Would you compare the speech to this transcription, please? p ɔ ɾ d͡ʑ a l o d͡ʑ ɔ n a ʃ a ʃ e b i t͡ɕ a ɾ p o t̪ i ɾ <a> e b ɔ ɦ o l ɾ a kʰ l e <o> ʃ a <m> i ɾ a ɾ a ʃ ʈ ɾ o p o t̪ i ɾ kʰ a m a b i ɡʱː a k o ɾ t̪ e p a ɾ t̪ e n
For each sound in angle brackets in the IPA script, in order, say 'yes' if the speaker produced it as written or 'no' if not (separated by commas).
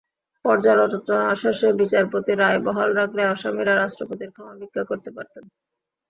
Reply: yes, no, yes